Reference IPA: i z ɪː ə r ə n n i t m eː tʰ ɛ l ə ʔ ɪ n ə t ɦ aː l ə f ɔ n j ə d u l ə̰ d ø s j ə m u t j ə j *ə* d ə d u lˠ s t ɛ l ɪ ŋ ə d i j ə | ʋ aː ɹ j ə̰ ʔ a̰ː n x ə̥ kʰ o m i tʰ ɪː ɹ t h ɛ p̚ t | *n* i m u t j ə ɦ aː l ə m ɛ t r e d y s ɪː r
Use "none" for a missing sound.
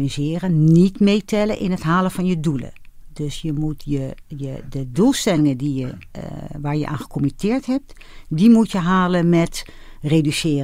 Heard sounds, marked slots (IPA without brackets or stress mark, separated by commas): ə, d